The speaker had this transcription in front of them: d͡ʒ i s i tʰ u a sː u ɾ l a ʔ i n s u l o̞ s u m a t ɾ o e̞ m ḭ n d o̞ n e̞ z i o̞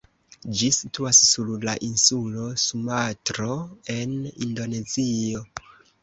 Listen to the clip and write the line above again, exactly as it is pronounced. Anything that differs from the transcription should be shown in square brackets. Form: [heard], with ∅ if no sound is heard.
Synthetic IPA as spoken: d͡ʒ i s i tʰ u a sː u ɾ l a ʔ i n s u l o̞ s u m a t ɾ o e̞ [n] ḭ n d o̞ n e̞ z i o̞